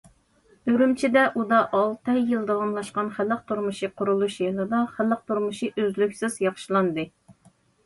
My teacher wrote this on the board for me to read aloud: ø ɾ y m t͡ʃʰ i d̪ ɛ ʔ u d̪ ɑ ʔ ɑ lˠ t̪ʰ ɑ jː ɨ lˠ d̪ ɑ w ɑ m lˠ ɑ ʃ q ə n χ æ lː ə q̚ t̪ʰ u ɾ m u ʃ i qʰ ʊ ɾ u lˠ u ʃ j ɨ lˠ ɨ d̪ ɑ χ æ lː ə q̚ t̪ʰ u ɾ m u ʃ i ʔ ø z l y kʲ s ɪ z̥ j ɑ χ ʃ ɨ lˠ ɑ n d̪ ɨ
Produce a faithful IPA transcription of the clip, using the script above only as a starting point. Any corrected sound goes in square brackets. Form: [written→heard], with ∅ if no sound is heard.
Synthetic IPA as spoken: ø ɾ y m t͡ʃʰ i d̪ ɛ ʔ u d̪ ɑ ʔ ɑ lˠ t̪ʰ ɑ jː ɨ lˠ d̪ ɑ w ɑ m lˠ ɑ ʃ q [ə→ɑ] n χ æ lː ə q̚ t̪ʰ u ɾ m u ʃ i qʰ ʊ ɾ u lˠ u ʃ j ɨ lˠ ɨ d̪ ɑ χ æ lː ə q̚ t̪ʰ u ɾ m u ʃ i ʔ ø z l y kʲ s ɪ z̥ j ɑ χ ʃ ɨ lˠ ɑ n d̪ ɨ